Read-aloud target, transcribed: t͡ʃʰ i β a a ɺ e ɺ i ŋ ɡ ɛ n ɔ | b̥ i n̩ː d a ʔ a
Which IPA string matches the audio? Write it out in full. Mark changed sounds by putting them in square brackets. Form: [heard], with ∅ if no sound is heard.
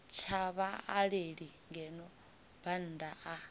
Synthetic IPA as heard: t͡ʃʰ [a] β a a ɺ e ɺ i ŋ ɡ ɛ n ɔ | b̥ [a] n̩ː d a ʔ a